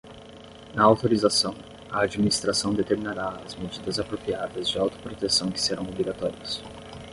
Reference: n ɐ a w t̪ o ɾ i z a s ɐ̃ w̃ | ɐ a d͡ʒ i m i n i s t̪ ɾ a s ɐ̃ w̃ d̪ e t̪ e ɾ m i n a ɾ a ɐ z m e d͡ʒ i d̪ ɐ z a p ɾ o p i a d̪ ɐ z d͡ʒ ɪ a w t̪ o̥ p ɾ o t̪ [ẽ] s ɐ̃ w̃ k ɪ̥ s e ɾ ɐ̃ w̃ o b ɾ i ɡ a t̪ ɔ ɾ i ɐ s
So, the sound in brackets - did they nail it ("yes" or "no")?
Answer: no